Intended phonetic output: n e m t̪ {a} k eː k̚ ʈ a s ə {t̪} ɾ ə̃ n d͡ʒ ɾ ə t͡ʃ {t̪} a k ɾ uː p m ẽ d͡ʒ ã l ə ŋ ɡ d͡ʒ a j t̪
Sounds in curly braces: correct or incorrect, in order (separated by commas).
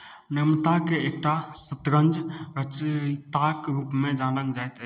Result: correct, correct, correct